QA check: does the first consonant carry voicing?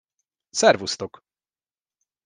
no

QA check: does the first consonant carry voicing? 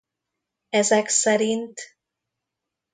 yes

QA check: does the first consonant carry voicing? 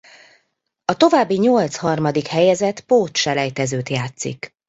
no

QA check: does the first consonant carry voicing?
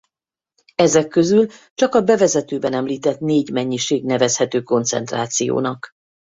yes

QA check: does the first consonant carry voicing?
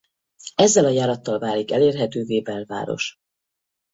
yes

